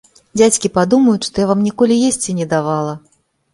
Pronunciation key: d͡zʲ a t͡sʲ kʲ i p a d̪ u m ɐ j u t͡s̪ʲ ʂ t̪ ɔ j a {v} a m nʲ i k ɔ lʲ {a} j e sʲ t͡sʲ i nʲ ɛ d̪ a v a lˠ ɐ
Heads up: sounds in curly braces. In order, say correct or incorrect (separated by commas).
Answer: correct, incorrect